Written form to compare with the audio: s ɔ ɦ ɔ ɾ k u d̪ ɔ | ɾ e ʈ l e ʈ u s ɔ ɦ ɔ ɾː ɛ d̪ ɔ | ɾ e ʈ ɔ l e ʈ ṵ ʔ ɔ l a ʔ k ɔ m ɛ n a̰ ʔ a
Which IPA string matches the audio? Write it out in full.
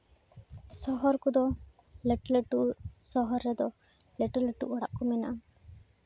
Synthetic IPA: s ɔ ɦ ɔ ɾ k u d̪ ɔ | l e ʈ l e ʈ u s ɔ ɦ ɔ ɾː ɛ d̪ ɔ | l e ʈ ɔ l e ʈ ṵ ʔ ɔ ɽ a ʔ k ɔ m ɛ n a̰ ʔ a